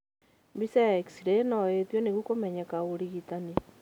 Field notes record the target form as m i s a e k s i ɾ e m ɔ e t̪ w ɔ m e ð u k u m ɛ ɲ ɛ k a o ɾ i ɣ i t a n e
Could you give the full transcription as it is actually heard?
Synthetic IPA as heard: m i s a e k s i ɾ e n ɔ e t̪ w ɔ n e ɣ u k o m ɛ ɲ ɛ k a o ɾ i ɣ i t a n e